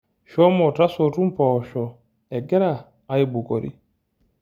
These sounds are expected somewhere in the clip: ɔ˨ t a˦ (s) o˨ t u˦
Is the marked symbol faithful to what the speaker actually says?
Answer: yes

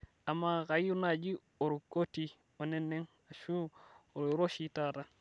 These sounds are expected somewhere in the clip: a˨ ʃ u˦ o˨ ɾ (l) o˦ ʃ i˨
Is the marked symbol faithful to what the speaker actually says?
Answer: no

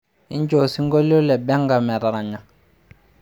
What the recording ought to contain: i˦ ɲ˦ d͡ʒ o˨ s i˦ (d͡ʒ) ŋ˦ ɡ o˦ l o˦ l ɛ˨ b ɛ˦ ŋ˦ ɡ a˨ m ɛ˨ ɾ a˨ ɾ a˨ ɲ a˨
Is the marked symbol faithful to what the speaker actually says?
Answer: no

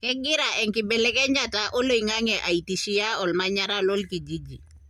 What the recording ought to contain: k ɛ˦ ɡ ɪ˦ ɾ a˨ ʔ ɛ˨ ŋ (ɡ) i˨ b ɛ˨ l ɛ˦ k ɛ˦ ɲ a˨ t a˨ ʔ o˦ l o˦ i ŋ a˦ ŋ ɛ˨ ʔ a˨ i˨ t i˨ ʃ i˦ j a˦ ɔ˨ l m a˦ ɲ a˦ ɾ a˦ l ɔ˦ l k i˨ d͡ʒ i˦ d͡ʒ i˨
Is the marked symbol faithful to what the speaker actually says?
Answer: no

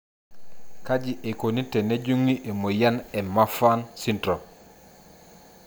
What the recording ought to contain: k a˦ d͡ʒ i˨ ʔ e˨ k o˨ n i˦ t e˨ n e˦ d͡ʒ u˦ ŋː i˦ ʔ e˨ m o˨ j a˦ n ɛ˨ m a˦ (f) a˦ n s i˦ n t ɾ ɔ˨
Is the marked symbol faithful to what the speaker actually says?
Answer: yes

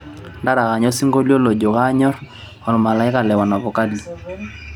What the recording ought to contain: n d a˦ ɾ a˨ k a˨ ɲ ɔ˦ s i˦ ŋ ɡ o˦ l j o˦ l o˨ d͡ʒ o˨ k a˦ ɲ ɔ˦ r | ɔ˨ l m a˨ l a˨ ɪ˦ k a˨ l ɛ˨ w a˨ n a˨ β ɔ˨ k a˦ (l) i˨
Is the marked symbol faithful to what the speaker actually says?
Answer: yes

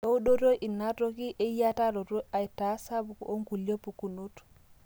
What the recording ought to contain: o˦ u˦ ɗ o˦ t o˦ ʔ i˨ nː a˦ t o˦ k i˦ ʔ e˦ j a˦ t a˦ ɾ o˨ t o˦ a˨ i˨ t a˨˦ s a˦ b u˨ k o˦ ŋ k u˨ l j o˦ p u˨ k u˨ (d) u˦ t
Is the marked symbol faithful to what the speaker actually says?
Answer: no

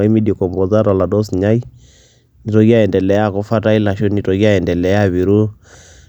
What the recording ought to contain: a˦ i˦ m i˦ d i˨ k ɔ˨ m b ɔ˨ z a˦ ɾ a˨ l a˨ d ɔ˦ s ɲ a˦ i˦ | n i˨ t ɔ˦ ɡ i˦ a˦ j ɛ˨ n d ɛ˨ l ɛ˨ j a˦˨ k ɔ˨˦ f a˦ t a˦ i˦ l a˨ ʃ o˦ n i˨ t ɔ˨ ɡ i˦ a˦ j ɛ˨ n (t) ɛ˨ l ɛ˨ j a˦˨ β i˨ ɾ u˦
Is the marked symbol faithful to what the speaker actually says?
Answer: no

